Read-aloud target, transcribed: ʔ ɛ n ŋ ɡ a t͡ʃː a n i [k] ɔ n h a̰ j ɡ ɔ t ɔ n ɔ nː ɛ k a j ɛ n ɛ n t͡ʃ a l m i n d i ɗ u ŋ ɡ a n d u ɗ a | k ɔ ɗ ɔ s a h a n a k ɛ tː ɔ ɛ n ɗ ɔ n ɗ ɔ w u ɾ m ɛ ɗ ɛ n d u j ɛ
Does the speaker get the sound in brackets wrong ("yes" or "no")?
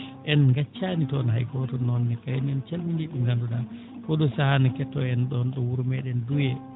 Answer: yes